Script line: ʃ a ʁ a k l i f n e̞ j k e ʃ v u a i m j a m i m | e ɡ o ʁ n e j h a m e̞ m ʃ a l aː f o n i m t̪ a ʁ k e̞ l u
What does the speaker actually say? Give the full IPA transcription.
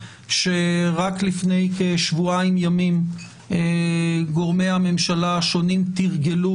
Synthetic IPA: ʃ e ʁ a k l i f n e̞ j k e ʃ v u a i m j a m i m | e ɡ o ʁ m e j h a m e̞ m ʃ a l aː ʃ o n i m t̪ i ʁ ɡ e̞ l u